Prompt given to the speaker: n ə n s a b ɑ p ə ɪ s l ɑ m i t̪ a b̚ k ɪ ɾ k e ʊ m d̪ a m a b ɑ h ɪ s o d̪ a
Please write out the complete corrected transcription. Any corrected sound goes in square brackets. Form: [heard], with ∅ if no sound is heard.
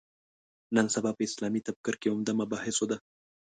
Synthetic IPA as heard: n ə n s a b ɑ p ə ɪ s l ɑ m i t̪ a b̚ k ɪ ɾ k e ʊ m d̪ a m a b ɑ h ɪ s o d̪ a